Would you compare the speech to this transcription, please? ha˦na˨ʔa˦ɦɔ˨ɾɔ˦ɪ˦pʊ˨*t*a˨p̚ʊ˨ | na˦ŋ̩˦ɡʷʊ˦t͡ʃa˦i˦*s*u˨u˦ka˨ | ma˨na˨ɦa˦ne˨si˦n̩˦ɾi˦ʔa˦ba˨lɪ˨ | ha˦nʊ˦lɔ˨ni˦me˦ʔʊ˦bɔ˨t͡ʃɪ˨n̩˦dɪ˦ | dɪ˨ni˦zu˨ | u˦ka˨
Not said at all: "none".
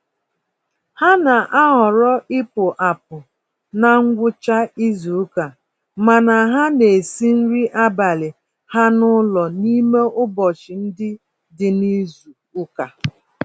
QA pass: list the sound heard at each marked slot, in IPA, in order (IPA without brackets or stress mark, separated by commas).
ʔ, z